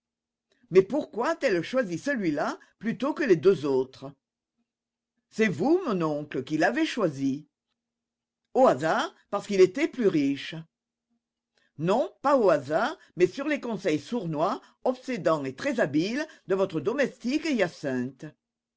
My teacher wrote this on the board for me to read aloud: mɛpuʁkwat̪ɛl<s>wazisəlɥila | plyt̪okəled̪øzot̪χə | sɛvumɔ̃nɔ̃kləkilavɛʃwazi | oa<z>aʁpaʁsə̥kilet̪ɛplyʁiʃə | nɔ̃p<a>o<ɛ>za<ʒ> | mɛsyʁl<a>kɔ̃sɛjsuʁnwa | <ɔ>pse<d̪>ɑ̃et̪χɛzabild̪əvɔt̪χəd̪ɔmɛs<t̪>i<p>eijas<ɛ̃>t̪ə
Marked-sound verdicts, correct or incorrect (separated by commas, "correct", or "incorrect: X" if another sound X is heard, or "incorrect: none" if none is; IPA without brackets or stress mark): incorrect: ʃ, correct, correct, incorrect: a, incorrect: ʁ, incorrect: e, correct, correct, correct, incorrect: k, correct